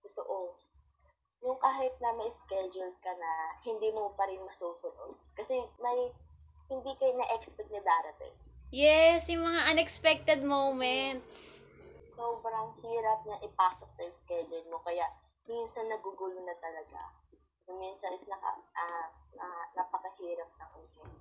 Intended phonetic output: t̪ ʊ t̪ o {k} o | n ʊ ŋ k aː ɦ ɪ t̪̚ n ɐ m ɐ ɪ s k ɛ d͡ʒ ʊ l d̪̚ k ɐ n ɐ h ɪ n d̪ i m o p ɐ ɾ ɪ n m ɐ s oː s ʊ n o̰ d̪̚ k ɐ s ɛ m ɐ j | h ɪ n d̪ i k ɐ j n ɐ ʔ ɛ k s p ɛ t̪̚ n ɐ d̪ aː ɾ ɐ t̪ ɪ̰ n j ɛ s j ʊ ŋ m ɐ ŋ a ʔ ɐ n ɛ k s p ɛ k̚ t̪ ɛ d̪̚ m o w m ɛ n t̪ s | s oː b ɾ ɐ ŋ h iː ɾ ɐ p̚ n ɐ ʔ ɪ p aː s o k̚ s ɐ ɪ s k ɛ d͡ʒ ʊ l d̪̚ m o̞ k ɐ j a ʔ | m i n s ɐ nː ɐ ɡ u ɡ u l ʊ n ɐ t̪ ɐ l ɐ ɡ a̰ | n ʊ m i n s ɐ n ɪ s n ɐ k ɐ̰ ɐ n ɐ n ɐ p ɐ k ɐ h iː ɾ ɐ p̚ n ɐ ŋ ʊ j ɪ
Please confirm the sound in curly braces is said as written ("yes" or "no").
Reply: no